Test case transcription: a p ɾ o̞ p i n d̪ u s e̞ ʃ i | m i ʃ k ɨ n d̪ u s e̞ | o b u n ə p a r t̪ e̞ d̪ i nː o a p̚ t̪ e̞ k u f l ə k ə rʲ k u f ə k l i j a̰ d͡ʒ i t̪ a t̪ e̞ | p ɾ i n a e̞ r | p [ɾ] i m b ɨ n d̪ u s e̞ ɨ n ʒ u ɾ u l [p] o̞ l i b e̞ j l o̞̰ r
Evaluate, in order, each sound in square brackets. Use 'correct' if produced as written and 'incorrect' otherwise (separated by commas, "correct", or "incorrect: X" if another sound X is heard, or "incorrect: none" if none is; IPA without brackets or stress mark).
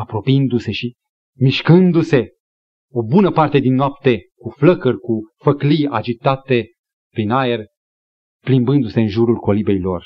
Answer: incorrect: l, incorrect: k